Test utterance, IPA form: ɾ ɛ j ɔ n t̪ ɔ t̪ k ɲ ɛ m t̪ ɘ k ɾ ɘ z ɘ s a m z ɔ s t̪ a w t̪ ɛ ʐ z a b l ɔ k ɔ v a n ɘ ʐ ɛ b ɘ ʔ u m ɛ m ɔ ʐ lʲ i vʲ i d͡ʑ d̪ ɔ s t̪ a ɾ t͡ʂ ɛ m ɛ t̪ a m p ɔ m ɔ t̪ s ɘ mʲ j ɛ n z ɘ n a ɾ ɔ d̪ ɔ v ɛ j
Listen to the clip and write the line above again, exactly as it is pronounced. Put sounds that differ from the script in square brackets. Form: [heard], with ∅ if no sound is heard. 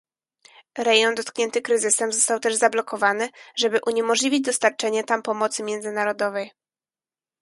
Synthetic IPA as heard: ɾ ɛ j ɔ n [d̪] ɔ t̪ k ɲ ɛ [n] t̪ ɘ k ɾ ɘ z ɘ s [ɛ] m z ɔ s t̪ a w t̪ ɛ ʐ z a b l ɔ k ɔ v a n ɘ ʐ ɛ b ɘ ʔ u [ɲ] ɛ m ɔ ʐ lʲ i vʲ i d͡ʑ d̪ ɔ s t̪ a ɾ t͡ʂ ɛ [ɲ] ɛ t̪ a m p ɔ m ɔ t̪ s ɘ mʲ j ɛ n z ɘ n a ɾ ɔ d̪ ɔ v ɛ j